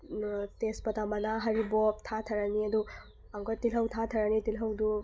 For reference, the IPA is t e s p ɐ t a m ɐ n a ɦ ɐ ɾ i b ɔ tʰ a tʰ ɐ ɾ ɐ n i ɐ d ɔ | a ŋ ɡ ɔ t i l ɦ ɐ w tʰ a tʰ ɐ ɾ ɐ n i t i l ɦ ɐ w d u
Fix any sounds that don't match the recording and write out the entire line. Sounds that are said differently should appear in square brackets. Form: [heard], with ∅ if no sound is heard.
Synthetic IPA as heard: t e s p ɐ t a m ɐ n a ɦ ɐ ɾ i b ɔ tʰ a tʰ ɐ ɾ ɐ n i ɐ d [u] | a ŋ ɡ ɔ t i l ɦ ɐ w tʰ a tʰ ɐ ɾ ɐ n i t i l ɦ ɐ w d u